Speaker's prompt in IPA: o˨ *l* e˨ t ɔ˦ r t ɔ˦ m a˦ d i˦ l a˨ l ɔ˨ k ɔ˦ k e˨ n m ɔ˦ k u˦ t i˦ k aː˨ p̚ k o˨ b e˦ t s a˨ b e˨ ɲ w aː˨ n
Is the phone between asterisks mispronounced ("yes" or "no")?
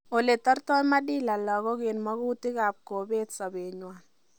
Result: no